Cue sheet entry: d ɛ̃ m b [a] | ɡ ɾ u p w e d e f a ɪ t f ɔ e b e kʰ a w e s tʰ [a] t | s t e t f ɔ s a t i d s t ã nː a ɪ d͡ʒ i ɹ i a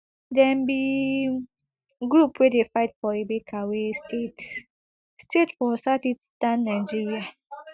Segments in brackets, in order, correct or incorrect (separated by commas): incorrect, incorrect